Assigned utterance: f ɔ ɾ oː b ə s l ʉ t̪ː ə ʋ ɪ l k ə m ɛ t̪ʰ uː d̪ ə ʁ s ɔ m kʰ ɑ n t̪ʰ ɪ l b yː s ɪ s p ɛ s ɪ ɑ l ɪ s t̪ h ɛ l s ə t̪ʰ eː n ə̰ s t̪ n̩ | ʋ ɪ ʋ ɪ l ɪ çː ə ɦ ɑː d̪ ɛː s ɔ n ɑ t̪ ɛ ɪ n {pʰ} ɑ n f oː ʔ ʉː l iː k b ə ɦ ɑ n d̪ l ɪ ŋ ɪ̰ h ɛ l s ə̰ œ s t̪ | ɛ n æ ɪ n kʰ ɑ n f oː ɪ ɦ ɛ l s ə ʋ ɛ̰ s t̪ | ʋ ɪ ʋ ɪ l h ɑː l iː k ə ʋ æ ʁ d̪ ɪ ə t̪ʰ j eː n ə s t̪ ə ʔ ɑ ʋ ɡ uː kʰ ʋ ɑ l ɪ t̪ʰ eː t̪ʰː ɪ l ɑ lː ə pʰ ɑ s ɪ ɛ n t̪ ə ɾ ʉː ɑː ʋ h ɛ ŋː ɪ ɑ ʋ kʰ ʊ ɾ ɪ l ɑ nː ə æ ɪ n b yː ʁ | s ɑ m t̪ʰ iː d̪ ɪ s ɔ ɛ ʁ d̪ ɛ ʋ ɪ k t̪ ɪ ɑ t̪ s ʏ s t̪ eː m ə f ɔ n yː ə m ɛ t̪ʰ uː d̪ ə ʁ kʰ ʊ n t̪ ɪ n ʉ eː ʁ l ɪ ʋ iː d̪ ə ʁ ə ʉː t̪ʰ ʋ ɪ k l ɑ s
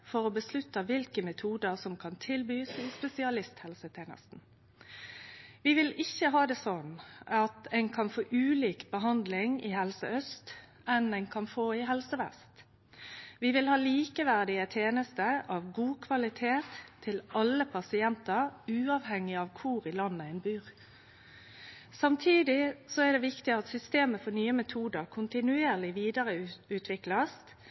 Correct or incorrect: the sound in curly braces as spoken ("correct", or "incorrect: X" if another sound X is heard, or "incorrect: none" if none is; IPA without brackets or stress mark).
incorrect: kʰ